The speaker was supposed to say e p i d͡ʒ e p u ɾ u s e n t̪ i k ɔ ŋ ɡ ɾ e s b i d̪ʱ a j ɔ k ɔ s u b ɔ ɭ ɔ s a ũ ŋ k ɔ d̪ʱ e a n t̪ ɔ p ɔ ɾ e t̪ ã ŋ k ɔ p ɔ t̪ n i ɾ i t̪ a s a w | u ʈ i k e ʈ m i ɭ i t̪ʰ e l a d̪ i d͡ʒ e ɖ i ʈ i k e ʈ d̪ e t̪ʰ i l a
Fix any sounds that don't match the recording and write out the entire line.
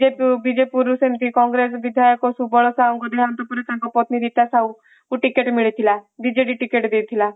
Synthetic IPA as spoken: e b i d͡ʒ e p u ɾ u s e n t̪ i k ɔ ŋ ɡ ɾ e s b i d̪ʱ a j ɔ k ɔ s u b ɔ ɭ ɔ s a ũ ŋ k ɔ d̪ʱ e a n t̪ ɔ p ɔ ɾ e t̪ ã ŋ k ɔ p ɔ t̪ n i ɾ i t̪ a s a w | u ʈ i k e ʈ m i ɭ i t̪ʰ i l a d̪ i d͡ʒ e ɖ i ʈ i k e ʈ d̪ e t̪ʰ i l a